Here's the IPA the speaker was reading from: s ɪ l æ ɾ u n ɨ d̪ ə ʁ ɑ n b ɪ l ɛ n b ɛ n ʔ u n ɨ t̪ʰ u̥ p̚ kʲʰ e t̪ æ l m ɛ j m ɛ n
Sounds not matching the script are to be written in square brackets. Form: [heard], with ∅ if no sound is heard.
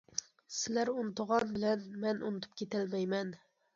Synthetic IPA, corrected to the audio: s ɪ l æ ɾ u n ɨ [t̪] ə ʁ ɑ n b ɪ l ɛ n [m] ɛ n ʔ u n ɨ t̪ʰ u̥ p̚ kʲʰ e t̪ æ l m ɛ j m ɛ n

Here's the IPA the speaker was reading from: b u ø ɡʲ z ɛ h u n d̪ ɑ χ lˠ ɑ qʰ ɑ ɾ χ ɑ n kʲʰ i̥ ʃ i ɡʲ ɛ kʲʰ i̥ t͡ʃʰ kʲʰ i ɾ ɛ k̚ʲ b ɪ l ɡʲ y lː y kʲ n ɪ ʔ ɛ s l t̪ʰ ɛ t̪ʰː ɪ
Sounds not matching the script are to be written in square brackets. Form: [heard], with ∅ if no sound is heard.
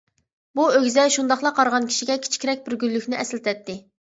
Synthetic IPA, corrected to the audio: b u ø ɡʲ z ɛ [ʃ] u n d̪ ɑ χ lˠ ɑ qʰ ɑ ɾ [ʁ] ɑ n kʲʰ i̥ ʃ i ɡʲ ɛ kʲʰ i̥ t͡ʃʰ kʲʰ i ɾ ɛ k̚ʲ b ɪ [ɾ] ɡʲ y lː y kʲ n ɪ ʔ ɛ s l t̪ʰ ɛ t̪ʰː ɪ

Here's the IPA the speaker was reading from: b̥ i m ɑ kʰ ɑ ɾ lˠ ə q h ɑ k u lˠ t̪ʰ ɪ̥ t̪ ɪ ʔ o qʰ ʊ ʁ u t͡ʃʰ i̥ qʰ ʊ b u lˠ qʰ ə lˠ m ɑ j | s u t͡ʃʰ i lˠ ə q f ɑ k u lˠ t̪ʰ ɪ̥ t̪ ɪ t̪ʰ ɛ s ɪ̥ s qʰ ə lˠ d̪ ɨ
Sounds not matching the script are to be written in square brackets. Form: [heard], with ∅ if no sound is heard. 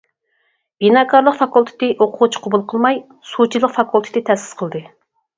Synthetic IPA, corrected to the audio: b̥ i [n] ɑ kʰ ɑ ɾ lˠ ə q [f] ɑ k u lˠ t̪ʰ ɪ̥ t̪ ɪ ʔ o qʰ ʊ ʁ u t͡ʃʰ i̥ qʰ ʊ b u lˠ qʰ ə lˠ m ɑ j | s u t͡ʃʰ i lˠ ə q f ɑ k u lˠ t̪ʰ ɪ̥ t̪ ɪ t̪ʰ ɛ s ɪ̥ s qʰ ə lˠ d̪ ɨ

